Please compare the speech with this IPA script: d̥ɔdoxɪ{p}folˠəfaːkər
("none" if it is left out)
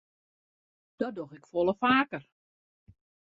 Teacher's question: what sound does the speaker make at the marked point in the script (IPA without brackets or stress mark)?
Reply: k